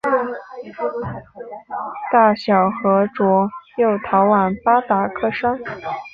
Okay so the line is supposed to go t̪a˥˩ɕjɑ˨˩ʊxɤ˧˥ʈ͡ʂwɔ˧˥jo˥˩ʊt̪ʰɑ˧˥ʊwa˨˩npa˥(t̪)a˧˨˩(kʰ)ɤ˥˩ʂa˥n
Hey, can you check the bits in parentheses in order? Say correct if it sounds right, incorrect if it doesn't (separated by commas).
correct, correct